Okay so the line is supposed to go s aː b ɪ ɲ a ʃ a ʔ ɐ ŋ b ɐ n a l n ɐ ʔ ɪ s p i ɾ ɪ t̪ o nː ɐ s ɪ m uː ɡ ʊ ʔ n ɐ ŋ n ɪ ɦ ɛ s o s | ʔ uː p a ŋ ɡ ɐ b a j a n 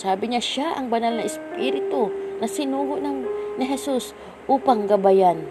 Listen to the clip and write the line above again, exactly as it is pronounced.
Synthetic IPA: s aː b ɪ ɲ a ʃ a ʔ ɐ ŋ b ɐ n a l n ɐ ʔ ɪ s p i ɾ ɪ t̪ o n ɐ s ɪ n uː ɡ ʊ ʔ n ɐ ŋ n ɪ ɦ ɛ s u s | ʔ uː p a ŋ ɡ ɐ b a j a n